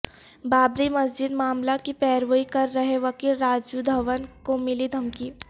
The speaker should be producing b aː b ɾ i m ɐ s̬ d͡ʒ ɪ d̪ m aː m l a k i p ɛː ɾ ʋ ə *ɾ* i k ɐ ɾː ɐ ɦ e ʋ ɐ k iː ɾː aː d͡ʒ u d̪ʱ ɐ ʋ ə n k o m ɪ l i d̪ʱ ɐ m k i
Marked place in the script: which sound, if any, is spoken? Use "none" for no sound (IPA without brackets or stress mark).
none